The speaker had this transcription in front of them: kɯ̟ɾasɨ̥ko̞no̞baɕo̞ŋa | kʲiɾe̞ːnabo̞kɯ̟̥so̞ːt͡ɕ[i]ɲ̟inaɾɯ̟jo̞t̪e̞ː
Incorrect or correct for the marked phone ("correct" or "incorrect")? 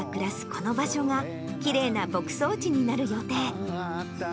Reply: correct